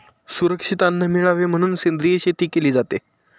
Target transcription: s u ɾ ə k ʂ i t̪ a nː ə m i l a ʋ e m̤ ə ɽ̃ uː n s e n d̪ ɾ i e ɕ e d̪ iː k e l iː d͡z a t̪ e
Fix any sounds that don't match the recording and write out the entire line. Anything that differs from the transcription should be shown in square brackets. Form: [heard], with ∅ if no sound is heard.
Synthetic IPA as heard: s u ɾ ə k ʂ i t̪ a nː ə m i [ɭ] a ʋ e m̤ ə ɽ̃ uː n s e n d̪ ɾ i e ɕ e [t̪] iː k e l iː d͡z a t̪ e